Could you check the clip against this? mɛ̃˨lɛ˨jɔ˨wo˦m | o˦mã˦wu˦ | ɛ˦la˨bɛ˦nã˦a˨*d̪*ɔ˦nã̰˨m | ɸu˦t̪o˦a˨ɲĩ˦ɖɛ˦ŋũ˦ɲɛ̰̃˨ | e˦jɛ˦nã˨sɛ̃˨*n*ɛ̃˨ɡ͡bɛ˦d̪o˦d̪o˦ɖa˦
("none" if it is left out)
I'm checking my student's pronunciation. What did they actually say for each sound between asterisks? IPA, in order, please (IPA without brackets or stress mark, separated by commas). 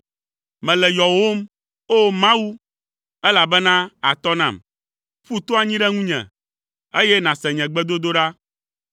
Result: t̪, ɲ